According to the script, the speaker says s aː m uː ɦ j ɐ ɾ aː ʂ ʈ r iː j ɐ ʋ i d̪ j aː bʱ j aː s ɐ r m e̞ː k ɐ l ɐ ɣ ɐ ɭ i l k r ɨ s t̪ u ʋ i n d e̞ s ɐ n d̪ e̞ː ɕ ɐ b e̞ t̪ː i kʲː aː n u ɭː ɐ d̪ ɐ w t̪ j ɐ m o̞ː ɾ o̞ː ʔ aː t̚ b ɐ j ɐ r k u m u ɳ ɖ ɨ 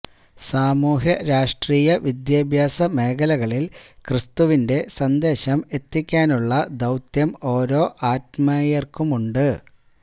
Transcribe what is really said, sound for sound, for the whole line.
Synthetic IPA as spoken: s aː m uː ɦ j ɐ ɾ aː ʂ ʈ r iː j ɐ ʋ i d̪ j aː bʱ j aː s ɐ m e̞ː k ɐ l ɐ ɣ ɐ ɭ i l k r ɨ s t̪ u ʋ i n d e̞ s ɐ n d̪ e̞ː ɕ ɐ m e̞ t̪ː i kʲː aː n u ɭː ɐ d̪ ɐ w t̪ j ɐ m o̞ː ɾ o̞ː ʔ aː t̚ m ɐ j ɐ r k u m u ɳ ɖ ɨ